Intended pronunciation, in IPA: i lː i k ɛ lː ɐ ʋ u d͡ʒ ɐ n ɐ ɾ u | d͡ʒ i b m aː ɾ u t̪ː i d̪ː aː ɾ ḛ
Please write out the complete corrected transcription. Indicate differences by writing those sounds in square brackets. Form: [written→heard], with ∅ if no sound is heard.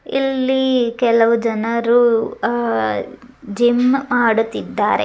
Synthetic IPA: i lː i k ɛ [lː→l] ɐ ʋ u d͡ʒ ɐ n ɐ ɾ u | d͡ʒ i [b→m] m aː [ɾ→ɽ] u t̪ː i d̪ː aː ɾ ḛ